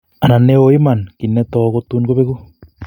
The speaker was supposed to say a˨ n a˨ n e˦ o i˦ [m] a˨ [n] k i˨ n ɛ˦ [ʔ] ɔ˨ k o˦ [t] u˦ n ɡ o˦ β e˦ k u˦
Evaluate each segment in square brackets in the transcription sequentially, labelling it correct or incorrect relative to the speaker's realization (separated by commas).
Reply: correct, correct, incorrect, correct